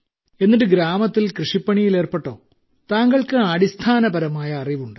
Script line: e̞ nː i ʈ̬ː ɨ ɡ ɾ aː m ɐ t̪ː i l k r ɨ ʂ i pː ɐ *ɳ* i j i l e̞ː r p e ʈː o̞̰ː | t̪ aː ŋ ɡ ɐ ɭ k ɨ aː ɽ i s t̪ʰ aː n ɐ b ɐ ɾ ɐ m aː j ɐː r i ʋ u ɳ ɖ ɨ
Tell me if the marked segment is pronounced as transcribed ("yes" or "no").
yes